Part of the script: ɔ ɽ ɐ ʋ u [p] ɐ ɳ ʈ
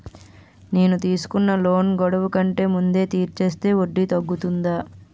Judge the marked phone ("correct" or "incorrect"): incorrect